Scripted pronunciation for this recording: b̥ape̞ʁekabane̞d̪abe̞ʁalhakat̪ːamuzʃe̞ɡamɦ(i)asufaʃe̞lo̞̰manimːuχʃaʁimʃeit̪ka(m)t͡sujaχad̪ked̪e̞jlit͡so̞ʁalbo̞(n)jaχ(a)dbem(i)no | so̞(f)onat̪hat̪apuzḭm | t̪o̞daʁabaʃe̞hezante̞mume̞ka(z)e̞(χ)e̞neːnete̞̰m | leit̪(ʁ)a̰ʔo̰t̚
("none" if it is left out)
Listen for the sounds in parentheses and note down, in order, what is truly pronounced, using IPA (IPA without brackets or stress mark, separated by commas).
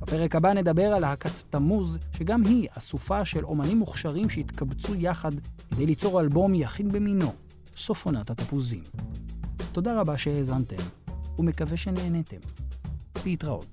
i, b, m, i, i, f, v, ʃ, ʁ